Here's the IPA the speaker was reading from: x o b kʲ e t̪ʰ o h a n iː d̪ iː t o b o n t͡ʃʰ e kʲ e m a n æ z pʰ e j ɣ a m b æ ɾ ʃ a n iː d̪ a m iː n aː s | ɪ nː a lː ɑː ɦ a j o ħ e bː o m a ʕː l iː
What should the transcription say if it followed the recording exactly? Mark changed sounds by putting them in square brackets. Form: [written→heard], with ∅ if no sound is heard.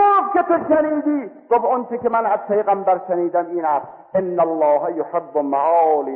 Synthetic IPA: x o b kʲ e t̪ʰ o [h→ʃ] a n iː d̪ iː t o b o n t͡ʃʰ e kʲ e m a n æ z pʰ e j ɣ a m b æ ɾ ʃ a n iː d̪ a m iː n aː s | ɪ nː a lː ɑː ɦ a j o ħ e bː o m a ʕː l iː